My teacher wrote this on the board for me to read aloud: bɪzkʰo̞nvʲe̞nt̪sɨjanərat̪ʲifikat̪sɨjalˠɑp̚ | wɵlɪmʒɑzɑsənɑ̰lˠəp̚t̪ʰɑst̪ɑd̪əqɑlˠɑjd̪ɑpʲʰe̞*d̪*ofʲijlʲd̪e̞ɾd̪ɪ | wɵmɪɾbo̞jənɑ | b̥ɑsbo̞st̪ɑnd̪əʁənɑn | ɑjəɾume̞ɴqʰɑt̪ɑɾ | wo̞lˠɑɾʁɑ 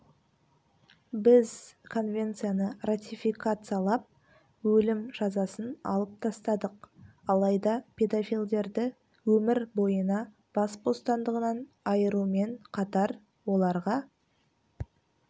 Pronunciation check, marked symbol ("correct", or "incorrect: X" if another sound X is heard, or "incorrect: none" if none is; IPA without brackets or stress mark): correct